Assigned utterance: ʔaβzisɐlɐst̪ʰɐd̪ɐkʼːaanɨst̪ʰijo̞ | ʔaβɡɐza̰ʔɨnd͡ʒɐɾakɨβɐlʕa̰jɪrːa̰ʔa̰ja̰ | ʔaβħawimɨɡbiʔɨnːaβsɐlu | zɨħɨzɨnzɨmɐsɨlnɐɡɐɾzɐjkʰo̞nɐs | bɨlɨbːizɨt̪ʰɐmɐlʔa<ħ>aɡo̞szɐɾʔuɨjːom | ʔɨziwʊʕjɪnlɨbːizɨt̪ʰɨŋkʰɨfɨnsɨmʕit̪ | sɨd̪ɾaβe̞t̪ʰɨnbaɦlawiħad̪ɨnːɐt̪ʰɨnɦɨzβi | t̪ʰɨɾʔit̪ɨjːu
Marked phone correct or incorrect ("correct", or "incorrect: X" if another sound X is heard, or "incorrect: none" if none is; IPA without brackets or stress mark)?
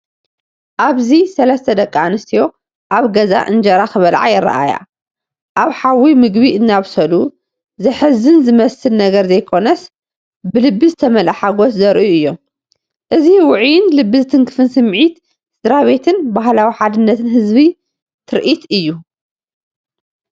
correct